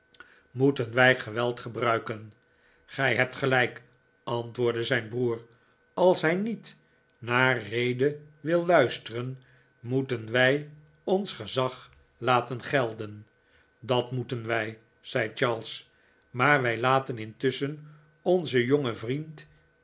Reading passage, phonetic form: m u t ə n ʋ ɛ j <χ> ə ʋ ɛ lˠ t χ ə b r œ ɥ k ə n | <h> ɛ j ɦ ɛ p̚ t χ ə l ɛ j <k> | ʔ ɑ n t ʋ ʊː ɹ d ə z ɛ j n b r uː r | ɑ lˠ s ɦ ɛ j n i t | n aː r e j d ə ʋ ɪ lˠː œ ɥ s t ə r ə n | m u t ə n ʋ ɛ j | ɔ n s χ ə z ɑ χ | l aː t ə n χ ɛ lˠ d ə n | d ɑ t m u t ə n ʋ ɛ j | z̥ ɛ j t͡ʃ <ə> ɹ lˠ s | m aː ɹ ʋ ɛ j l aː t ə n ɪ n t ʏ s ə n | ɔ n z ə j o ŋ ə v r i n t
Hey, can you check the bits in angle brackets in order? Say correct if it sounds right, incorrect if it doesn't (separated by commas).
correct, incorrect, correct, incorrect